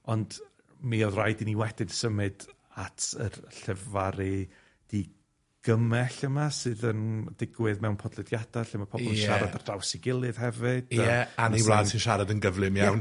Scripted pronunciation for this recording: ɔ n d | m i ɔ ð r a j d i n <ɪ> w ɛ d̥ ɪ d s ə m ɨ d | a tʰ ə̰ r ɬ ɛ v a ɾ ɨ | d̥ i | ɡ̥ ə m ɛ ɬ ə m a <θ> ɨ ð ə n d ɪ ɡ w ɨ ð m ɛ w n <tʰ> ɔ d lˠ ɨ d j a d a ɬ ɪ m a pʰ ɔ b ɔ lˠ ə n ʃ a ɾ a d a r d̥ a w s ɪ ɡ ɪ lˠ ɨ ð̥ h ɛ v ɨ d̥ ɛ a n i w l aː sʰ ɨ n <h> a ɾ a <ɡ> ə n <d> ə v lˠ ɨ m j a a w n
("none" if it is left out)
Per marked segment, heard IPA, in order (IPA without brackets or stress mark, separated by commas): i, s, pʰ, ʃ, d, ɡ